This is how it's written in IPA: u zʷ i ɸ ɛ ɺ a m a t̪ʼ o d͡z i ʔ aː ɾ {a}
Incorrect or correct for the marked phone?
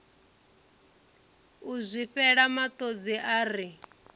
incorrect: i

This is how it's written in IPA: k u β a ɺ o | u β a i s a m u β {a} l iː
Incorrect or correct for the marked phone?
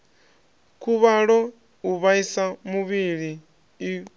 incorrect: i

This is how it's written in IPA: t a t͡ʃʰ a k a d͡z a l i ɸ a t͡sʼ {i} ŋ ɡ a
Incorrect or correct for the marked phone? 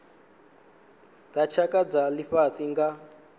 correct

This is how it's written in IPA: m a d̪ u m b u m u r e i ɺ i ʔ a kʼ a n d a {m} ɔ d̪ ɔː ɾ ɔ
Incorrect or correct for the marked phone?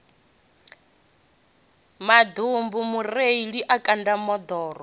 correct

